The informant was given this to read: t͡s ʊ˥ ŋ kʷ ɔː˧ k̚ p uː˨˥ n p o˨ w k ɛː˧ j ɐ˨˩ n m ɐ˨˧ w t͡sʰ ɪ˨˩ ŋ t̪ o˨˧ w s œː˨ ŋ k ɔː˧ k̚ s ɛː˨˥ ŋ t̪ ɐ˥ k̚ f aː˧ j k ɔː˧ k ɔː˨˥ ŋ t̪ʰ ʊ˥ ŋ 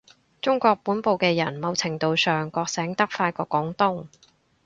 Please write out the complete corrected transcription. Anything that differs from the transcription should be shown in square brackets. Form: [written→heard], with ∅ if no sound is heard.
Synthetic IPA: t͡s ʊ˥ ŋ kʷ ɔː˧ k̚ p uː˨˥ n p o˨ w k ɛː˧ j ɐ˨˩ n m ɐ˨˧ w t͡sʰ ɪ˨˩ ŋ t̪ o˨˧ w s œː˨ ŋ k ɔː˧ k̚ s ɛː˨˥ ŋ t̪ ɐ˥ k̚ f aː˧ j k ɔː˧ k ɔː˨˥ ŋ [t̪ʰ→t̪] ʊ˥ ŋ